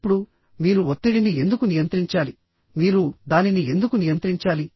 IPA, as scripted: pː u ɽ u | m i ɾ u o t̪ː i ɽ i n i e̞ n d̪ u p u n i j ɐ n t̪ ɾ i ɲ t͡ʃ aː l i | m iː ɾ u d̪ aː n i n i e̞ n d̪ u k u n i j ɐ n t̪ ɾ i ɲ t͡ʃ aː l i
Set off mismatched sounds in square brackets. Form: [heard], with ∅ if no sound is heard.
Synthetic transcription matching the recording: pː u ɽ u | m [iː] ɾ u o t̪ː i ɽ i n i e̞ n d̪ u [k] u n i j ɐ n t̪ ɾ i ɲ t͡ʃ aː l i | m iː ɾ u d̪ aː n i n i e̞ n d̪ u k u n i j ɐ n t̪ ɾ i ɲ t͡ʃ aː l i